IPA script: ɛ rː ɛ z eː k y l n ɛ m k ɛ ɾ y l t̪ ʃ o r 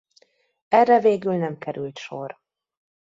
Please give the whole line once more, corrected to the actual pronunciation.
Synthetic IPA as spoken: ɛ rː ɛ v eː ɡ y l n ɛ m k ɛ ɾ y l t̪ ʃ o r